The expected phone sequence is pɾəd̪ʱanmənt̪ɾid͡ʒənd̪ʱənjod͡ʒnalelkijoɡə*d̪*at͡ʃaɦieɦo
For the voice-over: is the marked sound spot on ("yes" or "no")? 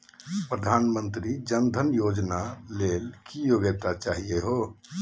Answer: no